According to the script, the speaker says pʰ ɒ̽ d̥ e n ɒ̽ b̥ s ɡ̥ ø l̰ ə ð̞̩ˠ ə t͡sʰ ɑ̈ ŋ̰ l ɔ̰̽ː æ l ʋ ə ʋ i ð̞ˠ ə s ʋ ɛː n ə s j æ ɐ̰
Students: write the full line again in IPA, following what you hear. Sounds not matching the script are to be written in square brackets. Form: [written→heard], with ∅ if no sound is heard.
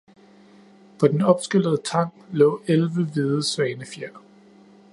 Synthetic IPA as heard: pʰ ɒ̽ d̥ e n ɒ̽ b̥ s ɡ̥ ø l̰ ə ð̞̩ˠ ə t͡sʰ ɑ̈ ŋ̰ l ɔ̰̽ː [æ→e] l ʋ ə ʋ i ð̞ˠ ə s ʋ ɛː n ə [s→f] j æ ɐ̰